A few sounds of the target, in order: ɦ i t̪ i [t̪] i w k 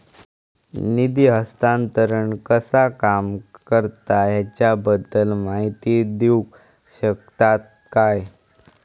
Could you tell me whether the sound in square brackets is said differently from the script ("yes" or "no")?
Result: yes